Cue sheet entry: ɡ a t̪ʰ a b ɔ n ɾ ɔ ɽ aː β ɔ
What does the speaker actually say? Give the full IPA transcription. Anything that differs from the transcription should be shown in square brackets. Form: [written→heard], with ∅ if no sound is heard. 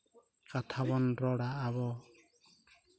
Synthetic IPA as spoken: [ɡ→k] a t̪ʰ a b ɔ n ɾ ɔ ɽ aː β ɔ